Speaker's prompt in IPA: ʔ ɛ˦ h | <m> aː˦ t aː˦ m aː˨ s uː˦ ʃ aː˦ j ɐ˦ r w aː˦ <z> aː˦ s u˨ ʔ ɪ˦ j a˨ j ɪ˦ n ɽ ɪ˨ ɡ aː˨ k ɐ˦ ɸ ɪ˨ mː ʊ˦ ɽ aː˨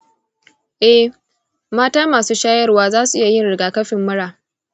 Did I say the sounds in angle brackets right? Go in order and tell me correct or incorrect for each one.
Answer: correct, correct

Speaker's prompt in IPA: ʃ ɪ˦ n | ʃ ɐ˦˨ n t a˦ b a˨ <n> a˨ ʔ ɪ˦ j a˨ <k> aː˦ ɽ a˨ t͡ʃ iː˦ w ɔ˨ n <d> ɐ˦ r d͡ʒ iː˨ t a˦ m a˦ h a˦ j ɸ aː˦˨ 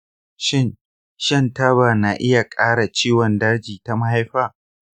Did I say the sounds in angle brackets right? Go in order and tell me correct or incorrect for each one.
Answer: correct, incorrect, correct

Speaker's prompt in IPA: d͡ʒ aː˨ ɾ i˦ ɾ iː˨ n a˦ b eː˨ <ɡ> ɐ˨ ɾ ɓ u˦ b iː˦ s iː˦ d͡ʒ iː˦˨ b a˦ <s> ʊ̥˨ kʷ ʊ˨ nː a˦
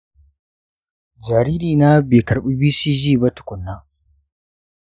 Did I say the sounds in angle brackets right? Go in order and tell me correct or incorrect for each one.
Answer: incorrect, incorrect

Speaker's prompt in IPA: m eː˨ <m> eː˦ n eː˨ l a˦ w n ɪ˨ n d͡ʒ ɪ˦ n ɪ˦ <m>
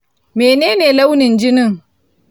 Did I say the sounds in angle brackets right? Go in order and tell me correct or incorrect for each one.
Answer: incorrect, incorrect

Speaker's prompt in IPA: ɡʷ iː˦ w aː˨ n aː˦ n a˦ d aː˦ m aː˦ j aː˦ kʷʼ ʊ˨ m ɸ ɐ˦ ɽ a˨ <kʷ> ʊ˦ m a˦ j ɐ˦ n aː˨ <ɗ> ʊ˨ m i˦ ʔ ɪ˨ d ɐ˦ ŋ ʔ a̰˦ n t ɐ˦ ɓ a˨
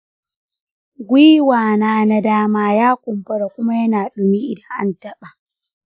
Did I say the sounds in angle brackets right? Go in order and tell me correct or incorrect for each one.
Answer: correct, correct

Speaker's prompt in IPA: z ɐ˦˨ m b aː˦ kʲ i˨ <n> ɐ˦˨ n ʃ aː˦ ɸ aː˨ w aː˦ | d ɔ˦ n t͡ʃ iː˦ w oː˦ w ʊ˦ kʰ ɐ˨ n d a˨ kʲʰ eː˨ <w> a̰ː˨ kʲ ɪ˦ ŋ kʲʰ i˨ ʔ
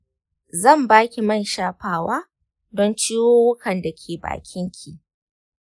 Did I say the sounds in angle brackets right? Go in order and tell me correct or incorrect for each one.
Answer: incorrect, incorrect

